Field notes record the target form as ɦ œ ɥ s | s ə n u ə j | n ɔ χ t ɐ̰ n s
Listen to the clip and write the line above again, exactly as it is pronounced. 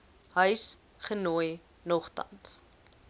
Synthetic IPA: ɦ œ ɥ s | χ ə n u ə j | n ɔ χ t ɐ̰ n s